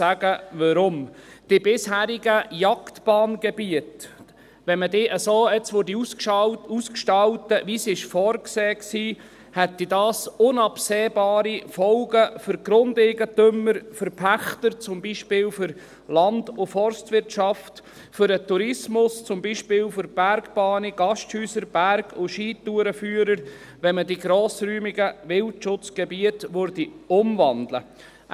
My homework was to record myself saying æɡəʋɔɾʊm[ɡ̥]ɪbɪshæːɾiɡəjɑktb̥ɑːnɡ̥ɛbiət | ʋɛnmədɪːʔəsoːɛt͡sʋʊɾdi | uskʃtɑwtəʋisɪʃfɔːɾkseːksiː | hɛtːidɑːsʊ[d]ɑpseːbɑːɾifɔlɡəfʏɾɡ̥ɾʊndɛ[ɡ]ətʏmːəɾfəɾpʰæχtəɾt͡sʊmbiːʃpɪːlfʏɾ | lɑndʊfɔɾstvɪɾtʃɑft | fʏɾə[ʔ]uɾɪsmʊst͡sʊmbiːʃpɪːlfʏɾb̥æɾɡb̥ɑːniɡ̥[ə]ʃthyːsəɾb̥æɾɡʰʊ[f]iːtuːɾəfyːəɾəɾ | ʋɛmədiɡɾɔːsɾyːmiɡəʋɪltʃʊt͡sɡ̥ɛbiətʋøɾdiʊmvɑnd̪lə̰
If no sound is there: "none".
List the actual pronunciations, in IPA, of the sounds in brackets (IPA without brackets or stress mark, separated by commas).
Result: d̥, n, ɡ, t, ɑ, ʃ